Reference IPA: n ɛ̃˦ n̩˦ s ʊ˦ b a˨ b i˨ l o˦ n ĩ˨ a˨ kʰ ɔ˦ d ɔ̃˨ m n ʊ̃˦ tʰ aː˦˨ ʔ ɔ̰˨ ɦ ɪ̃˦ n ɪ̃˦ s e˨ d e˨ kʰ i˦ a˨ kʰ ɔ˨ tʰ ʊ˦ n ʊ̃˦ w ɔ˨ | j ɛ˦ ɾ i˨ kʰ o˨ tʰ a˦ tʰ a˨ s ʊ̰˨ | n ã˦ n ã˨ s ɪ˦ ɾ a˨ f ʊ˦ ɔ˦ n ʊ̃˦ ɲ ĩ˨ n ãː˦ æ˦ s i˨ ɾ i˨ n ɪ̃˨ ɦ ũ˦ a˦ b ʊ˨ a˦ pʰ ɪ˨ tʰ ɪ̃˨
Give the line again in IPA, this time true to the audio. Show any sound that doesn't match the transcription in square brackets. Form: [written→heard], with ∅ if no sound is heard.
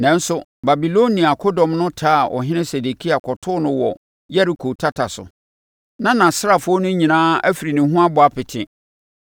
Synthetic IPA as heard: n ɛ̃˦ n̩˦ s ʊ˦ b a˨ b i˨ l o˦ n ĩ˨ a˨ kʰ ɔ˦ d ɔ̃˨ m n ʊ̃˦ tʰ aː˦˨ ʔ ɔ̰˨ ɦ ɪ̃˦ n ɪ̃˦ s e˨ d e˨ kʰ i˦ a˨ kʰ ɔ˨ tʰ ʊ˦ n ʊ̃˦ w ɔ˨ | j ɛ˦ ɾ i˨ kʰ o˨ tʰ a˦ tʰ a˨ s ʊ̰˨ | n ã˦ n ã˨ s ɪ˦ ɾ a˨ f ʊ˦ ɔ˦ n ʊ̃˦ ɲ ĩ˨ n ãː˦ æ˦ [s→f] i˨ ɾ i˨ n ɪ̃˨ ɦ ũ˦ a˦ b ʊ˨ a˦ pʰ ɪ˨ tʰ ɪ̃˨